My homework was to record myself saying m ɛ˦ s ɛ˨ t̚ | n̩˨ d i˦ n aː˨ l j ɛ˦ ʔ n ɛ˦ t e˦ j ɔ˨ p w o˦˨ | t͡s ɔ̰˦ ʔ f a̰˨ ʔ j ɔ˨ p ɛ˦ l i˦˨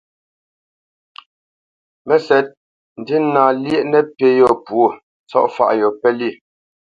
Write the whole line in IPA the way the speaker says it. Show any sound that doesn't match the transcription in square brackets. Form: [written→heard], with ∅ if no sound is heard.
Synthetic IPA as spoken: m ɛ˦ s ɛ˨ t̚ | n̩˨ d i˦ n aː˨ l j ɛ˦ ʔ n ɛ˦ [t→p] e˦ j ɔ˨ p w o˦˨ | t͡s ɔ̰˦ ʔ f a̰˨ ʔ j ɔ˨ p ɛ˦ l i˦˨